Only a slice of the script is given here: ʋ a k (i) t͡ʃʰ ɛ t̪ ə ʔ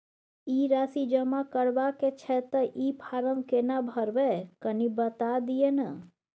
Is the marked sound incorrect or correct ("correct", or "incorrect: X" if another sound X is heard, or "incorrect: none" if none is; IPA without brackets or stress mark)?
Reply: incorrect: e